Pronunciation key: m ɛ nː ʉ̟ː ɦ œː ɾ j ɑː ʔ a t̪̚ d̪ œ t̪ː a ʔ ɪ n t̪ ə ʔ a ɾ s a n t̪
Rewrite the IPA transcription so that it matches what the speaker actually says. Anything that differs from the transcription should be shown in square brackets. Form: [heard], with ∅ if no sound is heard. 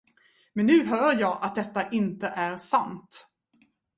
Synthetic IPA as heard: m ɛ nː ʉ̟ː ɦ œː ɾ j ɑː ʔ a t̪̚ d̪ [ɛ] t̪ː a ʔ ɪ n t̪ ə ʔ [æ] ɾ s a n t̪